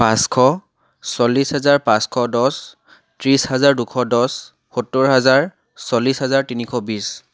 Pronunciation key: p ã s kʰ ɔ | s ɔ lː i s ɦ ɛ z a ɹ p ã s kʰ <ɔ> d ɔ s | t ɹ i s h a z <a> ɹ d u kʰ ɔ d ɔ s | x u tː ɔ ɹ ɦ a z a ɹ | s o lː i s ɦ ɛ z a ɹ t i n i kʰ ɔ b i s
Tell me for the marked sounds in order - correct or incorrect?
correct, correct

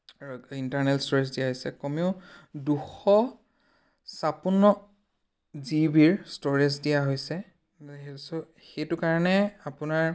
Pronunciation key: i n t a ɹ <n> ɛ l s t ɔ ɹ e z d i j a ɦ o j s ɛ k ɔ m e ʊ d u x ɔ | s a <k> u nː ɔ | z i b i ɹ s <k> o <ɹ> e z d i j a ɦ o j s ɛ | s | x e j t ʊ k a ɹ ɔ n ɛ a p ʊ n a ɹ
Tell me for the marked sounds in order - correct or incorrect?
correct, incorrect, incorrect, correct

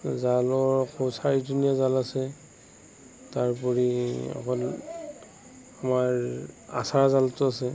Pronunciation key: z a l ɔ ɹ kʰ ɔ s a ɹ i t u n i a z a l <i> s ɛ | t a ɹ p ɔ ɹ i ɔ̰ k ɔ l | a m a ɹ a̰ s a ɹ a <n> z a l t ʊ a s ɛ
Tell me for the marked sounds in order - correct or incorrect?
incorrect, incorrect

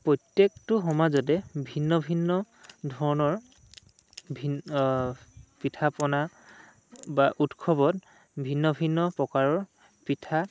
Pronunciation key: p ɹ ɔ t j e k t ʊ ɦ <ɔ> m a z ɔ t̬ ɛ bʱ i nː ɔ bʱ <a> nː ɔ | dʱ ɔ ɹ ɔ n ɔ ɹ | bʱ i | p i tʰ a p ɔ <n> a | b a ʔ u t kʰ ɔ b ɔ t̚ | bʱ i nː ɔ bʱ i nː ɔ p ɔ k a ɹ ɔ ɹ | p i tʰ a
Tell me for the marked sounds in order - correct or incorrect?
correct, incorrect, correct

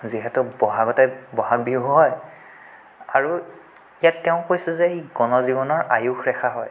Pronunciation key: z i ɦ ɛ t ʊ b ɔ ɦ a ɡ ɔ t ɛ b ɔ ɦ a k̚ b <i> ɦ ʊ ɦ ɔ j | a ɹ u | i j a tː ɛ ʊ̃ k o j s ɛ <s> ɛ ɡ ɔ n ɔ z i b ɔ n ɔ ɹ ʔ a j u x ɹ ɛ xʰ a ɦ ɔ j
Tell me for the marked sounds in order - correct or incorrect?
correct, incorrect

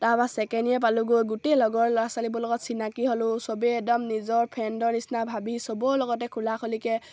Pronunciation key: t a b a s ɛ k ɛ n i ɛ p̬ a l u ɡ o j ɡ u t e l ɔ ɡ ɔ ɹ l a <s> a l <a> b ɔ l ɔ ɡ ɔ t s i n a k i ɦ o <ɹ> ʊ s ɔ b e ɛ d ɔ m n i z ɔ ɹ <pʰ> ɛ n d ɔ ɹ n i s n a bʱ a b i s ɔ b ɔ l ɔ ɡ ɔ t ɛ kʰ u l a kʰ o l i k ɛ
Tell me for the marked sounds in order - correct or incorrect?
correct, incorrect, incorrect, correct

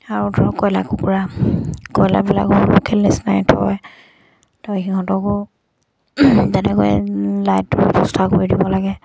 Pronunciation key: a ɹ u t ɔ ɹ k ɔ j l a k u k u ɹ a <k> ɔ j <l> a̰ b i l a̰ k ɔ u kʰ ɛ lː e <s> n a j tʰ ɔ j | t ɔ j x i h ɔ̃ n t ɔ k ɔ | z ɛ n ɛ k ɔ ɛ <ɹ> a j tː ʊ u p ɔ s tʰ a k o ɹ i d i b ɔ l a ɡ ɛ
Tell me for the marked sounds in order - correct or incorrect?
correct, correct, correct, incorrect

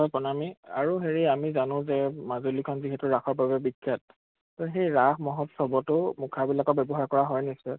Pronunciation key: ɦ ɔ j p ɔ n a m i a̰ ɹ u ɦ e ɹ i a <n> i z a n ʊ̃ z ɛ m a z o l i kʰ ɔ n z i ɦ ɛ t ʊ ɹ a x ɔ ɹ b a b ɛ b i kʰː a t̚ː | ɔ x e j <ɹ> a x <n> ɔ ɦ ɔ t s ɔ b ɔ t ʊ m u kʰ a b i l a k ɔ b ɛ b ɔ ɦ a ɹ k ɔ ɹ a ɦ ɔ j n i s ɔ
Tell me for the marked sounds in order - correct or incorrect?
incorrect, correct, incorrect

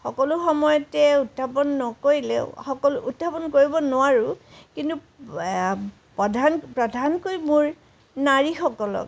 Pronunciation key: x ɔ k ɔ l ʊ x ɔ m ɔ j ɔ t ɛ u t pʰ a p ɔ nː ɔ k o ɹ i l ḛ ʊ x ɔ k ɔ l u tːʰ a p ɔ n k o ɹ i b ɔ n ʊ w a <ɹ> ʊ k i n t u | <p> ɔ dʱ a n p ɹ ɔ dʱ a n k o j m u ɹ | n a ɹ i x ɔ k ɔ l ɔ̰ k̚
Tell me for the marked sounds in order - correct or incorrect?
correct, correct

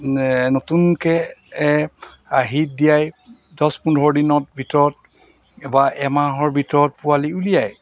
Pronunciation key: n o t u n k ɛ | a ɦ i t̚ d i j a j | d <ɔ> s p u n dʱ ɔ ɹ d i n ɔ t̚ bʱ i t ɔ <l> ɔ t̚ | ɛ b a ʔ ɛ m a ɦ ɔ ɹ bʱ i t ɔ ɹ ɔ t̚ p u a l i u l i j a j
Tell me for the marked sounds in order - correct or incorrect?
correct, incorrect

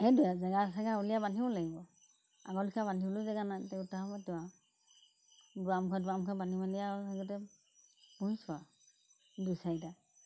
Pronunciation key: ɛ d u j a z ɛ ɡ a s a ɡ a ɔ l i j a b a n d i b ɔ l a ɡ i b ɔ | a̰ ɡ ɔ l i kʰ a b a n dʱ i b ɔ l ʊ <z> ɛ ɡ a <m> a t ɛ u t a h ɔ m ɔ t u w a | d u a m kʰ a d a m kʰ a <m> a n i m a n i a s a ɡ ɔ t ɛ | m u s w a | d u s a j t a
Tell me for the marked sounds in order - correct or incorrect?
correct, incorrect, incorrect

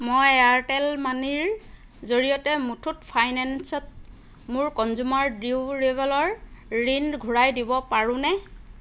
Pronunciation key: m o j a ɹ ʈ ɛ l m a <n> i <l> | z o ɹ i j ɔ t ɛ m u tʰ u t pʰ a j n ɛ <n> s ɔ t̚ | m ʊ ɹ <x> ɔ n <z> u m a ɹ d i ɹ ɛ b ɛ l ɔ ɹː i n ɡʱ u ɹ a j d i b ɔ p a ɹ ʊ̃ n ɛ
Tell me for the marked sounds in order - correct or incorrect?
correct, incorrect, correct, incorrect, correct

